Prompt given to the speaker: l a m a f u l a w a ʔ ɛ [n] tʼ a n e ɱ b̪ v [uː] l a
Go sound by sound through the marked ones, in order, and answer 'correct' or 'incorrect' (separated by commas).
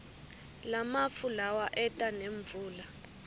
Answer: incorrect, correct